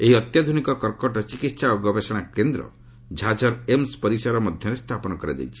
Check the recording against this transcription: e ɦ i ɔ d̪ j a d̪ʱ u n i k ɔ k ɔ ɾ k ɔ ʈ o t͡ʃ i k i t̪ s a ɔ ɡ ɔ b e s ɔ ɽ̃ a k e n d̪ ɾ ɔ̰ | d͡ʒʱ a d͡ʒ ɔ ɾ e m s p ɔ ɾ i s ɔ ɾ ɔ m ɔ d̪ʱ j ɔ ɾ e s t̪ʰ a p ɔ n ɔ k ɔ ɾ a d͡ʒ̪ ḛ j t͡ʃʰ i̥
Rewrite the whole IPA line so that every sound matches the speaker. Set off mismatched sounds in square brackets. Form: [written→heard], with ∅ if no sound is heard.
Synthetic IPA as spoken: e ɦ i ɔ [d̪→t̪] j a d̪ʱ u n i k ɔ k ɔ ɾ k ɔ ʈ [o→ɔ] t͡ʃ i k i t̪ s a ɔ ɡ ɔ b e s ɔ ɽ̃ a k e n d̪ ɾ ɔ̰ | d͡ʒʱ a d͡ʒ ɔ ɾ e m s p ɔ ɾ i s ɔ ɾ ɔ m ɔ d̪ʱ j ɔ ɾ e s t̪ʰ a p ɔ n ɔ k ɔ ɾ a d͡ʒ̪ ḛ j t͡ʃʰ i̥